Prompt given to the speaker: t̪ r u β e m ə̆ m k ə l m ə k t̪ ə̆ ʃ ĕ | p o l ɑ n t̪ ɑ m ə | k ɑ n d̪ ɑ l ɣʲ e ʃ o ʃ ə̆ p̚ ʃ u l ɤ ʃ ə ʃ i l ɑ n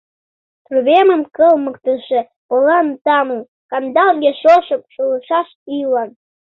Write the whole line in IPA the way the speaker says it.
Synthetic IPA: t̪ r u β e m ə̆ m k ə l m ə k t̪ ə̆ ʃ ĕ | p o l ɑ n t̪ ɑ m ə | k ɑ n d̪ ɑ l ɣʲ e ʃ o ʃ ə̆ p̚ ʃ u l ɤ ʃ ɑ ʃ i l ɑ n